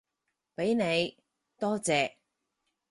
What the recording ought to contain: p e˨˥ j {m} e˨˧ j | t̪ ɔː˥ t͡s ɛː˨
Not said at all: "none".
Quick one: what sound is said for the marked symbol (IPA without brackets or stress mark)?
n